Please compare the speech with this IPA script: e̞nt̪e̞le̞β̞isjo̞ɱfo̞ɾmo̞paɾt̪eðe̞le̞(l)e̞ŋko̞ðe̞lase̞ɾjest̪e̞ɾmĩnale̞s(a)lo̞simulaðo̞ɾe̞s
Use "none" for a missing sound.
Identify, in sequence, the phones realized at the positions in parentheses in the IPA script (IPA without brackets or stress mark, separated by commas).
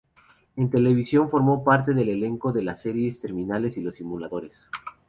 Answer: l, i